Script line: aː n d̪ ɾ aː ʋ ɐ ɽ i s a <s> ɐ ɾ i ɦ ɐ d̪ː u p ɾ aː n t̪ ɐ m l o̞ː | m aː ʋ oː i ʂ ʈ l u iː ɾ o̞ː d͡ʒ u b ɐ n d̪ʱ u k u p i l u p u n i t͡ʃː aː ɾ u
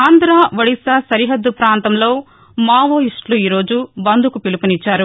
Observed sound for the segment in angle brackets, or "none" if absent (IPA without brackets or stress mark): s